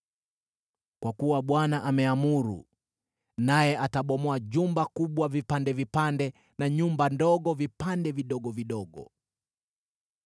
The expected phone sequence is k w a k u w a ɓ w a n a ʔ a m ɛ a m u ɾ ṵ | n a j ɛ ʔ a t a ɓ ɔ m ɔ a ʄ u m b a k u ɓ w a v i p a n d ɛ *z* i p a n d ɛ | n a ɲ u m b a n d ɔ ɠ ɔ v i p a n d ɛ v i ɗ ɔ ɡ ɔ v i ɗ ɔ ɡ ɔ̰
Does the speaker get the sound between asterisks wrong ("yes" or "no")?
yes